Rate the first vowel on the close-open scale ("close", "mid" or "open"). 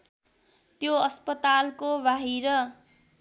mid